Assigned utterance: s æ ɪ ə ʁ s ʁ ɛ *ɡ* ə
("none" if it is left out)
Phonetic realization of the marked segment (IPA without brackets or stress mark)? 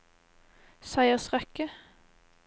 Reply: k